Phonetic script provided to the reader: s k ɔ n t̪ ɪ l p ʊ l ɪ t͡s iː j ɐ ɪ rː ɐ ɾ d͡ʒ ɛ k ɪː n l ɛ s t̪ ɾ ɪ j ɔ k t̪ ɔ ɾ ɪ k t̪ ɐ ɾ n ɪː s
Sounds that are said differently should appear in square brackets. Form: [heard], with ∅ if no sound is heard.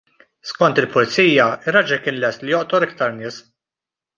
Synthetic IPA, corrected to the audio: s k ɔ n t̪ ɪ l p ʊ l ɪ t͡s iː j ɐ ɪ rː ɐ [∅] d͡ʒ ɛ k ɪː n l ɛ s t̪ [l] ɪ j ɔ [ʔ] t̪ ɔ ɾ ɪ k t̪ ɐ ɾ n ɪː s